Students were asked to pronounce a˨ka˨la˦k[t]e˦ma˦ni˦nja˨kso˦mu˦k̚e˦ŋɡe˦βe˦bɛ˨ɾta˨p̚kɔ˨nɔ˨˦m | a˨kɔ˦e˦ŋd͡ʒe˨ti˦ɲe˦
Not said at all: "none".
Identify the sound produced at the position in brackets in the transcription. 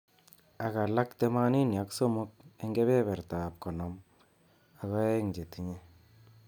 t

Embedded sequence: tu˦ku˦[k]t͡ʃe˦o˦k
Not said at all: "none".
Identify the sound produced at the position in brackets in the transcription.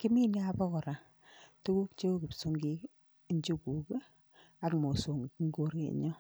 k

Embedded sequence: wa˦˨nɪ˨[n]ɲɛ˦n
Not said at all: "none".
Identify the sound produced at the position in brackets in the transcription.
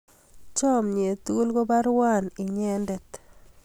none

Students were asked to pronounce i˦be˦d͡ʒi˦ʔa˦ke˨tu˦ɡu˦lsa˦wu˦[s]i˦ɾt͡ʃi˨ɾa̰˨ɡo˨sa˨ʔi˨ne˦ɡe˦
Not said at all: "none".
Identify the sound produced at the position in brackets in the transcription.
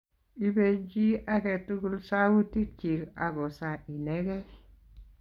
t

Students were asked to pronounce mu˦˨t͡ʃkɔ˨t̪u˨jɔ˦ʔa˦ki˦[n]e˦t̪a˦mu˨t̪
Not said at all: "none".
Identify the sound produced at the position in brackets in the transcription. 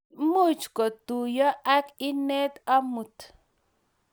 n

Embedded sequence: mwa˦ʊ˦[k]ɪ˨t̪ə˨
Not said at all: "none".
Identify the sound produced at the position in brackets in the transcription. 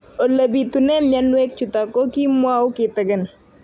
k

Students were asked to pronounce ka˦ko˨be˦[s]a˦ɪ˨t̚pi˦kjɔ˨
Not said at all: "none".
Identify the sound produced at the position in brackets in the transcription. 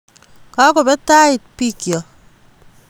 t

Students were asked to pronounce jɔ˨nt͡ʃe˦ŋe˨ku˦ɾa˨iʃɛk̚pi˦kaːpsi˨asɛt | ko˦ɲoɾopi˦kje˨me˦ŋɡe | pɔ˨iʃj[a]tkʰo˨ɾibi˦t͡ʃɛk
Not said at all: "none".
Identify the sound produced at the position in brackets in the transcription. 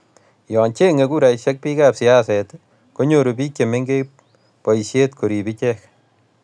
e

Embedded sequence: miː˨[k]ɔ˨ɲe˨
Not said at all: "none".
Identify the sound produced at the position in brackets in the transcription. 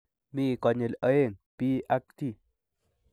k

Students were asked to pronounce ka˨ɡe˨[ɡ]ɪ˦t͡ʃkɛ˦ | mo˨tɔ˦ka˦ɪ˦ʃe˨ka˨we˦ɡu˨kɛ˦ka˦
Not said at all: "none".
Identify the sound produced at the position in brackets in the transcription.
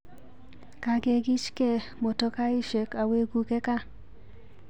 ɡ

